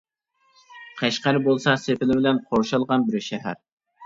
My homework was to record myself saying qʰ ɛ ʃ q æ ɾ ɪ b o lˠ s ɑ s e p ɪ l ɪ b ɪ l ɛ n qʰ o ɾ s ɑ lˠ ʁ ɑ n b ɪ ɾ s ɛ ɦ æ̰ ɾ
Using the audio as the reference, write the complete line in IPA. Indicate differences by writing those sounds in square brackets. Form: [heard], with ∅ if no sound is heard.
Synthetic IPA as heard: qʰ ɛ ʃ q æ ɾ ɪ b o lˠ s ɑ s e p ɪ l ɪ b ɪ l ɛ n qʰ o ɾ [ʃ] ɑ lˠ ʁ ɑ n b ɪ ɾ [ʃ] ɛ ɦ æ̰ ɾ